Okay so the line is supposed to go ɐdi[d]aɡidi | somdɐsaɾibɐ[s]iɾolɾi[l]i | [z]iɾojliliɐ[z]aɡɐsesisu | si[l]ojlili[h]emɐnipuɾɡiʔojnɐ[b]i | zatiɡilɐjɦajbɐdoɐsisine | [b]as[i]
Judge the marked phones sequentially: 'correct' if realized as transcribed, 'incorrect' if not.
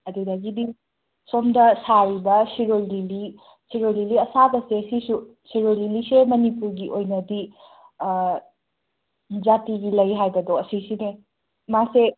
correct, correct, correct, incorrect: s, incorrect: s, incorrect: ɾ, incorrect: s, incorrect: d, incorrect: m, incorrect: e

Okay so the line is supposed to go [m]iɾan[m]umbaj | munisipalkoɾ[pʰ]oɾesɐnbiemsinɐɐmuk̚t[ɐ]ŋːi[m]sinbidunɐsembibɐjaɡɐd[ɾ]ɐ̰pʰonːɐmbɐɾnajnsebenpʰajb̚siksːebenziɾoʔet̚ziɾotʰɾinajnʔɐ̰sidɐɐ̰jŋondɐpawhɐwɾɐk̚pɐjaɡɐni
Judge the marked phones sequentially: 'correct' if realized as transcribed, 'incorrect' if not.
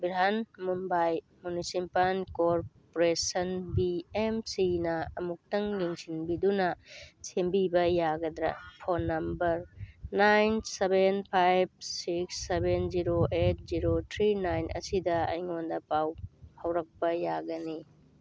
incorrect: b, correct, incorrect: p, correct, incorrect: ŋ, correct

